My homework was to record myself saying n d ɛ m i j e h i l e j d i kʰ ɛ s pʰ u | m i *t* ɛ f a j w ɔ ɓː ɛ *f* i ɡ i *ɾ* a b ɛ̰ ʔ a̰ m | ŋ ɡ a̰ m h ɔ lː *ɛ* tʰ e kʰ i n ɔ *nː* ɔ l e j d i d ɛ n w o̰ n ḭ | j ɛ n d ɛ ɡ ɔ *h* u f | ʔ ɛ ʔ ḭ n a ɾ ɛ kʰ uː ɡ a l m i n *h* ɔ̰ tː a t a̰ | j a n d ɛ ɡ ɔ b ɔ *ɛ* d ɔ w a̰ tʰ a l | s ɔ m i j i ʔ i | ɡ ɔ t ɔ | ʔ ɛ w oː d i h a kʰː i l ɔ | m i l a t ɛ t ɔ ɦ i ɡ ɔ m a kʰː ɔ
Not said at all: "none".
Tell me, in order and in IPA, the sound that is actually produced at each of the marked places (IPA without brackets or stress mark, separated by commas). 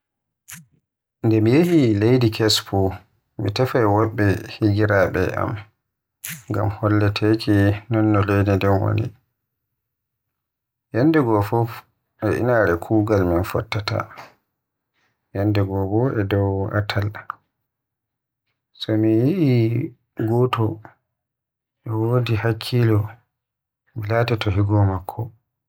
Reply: t, h, ɾ, ɛ, nː, f, f, ɛ